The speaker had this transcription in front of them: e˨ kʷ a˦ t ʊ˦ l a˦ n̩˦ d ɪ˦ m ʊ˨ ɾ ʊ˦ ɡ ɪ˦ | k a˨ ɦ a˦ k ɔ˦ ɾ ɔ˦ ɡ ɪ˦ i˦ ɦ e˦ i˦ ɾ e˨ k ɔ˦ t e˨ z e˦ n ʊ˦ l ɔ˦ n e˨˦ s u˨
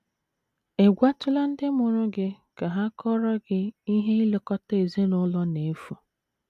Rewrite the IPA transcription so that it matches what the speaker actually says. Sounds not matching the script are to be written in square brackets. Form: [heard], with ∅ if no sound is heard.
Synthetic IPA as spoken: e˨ [ɡʷ] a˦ t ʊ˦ l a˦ n̩˦ d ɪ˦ m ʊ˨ ɾ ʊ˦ ɡ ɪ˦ | k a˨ ɦ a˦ k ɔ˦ ɾ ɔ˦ ɡ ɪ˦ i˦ ɦ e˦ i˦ [l] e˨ k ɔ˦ t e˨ z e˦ n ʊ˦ l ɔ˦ n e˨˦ [f] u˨

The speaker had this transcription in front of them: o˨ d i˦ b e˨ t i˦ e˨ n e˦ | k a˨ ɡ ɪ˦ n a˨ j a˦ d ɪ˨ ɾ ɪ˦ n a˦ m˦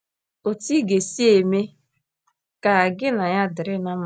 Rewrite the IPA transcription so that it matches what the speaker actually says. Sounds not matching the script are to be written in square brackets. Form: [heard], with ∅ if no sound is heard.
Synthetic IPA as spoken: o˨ [t] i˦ [ɡ] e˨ [s] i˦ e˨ [m] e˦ | k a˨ ɡ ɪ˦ n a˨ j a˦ d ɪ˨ ɾ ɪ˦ n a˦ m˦

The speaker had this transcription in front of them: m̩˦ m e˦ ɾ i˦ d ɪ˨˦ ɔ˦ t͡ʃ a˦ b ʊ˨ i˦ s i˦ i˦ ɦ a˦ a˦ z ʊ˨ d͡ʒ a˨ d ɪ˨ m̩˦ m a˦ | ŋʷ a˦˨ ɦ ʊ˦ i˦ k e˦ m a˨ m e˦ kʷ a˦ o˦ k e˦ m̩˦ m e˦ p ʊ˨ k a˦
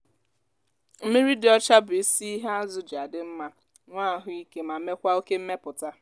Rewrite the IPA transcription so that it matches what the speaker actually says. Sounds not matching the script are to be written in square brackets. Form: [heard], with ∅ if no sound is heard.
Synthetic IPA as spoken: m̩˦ m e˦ ɾ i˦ d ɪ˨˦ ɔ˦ t͡ʃ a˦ b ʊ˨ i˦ s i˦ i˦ ɦ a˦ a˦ z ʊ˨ d͡ʒ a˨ d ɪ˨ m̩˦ m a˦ | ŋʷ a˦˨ ɦ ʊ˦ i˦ k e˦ m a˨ m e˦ kʷ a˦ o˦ k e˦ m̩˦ m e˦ p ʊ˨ [t] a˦

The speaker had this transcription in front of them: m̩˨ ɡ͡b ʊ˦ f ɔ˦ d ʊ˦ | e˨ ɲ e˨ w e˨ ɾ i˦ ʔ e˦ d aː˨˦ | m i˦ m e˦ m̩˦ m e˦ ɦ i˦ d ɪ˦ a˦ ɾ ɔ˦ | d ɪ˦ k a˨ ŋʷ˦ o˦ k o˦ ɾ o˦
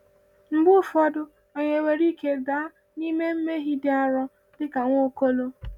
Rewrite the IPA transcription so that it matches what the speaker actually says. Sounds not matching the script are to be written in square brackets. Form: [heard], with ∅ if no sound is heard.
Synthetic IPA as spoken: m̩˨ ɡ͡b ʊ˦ f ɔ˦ d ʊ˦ | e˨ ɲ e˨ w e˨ ɾ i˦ [k] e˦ d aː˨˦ | [n] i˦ m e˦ m̩˦ m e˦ ɦ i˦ d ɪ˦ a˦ ɾ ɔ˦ | d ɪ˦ k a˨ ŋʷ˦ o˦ k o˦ [l] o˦

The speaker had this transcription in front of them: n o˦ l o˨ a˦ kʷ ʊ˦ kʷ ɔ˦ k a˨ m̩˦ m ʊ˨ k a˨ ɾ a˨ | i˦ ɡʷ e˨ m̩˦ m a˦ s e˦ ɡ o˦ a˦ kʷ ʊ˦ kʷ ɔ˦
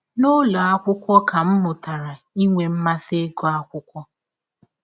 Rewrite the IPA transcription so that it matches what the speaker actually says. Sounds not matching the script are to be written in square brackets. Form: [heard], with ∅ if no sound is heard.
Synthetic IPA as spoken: n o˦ l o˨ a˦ kʷ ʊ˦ kʷ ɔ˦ k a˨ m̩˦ m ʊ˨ [t] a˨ ɾ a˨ | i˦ [ŋʷ] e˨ m̩˦ m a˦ s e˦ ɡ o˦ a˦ kʷ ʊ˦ kʷ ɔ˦

